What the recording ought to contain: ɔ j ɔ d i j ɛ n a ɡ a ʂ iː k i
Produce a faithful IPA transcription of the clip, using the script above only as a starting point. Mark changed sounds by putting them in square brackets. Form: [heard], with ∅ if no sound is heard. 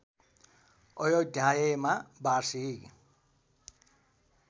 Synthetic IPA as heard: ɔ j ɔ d [a] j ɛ [m] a [b] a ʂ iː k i